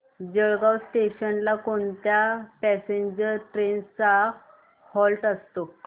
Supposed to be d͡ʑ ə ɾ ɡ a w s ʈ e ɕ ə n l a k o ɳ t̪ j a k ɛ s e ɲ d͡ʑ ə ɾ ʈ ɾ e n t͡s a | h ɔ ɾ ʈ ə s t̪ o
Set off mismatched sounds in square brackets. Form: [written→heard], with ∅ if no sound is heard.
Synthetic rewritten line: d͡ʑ ə [ɾ→ɭ] ɡ a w s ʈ e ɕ ə n l a k o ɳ t̪ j a [k→p] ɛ s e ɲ d͡ʑ ə ɾ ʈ ɾ e n t͡s a | h ɔ [ɾ→l] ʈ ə s t̪ o